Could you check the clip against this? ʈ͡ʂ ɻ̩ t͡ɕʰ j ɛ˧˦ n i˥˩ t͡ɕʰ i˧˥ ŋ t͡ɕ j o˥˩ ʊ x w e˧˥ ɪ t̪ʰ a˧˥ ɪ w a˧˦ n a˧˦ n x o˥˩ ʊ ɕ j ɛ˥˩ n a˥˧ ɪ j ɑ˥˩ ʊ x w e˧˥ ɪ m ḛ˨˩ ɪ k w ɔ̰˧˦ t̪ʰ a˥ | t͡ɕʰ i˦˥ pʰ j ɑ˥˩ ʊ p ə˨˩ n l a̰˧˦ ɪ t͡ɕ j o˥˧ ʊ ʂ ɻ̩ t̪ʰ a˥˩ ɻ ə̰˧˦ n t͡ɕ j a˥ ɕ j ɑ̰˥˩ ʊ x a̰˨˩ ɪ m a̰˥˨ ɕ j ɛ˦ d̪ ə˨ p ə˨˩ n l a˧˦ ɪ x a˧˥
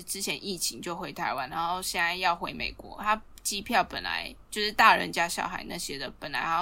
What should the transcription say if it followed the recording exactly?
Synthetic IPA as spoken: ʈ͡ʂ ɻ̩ t͡ɕʰ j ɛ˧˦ n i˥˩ t͡ɕʰ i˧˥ ŋ t͡ɕ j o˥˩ ʊ x w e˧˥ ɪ t̪ʰ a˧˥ ɪ w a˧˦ n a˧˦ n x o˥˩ ʊ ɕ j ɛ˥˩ n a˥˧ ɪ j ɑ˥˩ ʊ x w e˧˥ ɪ m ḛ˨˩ ɪ k w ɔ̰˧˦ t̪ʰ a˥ | t͡ɕ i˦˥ pʰ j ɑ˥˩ ʊ p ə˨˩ n l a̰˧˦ ɪ t͡ɕ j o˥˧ ʊ ʂ ɻ̩ t̪ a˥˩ ɻ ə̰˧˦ n t͡ɕ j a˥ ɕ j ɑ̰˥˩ ʊ x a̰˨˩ ɪ n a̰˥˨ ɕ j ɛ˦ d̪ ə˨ p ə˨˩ n l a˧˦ ɪ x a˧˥